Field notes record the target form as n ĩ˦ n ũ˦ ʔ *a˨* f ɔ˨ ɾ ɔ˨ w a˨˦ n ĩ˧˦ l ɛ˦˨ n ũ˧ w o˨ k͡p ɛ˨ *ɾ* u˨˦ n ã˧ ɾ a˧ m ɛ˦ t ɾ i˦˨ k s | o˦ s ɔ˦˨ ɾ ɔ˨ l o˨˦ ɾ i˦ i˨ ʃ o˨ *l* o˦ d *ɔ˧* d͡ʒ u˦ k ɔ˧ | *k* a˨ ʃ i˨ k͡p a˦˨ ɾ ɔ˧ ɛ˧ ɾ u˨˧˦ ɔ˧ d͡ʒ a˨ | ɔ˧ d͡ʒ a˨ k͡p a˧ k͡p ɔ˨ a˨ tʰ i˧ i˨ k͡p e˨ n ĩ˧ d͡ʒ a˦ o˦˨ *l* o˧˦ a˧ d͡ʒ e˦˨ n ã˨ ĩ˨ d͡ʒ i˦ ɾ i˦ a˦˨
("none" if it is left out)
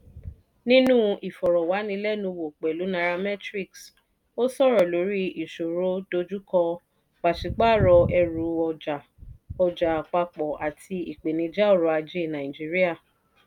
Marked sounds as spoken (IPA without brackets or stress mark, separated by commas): i˨, l, ɾ, o˧, k͡p, ɾ